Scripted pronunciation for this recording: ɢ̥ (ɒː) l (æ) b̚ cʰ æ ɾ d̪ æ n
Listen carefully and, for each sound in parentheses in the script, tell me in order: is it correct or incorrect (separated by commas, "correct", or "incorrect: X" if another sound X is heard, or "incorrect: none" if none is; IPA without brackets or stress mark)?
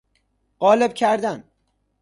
correct, incorrect: e